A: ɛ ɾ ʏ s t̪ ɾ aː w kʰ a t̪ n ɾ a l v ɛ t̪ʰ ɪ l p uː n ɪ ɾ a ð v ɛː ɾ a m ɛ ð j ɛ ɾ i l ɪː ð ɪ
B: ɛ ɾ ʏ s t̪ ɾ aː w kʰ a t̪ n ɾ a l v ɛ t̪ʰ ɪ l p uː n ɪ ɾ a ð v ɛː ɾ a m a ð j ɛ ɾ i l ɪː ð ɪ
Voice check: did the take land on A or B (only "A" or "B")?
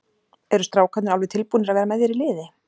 A